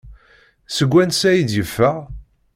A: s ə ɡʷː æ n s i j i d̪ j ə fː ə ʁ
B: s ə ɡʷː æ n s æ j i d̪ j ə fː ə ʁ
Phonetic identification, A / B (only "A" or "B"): B